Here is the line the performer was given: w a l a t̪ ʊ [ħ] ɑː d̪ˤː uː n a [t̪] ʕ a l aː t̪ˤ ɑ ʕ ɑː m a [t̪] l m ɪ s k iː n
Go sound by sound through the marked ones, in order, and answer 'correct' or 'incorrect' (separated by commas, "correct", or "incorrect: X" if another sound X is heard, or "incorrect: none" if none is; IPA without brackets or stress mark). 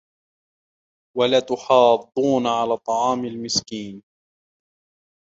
correct, incorrect: none, incorrect: none